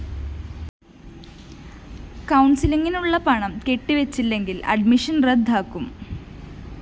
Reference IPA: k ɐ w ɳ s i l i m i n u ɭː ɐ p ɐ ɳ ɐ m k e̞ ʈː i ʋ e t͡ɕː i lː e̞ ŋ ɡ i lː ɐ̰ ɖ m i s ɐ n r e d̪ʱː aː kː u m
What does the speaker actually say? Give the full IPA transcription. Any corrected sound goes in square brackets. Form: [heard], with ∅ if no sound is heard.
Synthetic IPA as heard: k ɐ w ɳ s i l i [ŋ] i n u ɭː ɐ p ɐ ɳ ɐ m k e̞ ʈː i ʋ e t͡ɕː i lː e̞ ŋ ɡ i [l] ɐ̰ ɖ m i [ʂ] ɐ n r e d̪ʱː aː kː u m